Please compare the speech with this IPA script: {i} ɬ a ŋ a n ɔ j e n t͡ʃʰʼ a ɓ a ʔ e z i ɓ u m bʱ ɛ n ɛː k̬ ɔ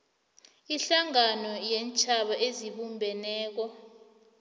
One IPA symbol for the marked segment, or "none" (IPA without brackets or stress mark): i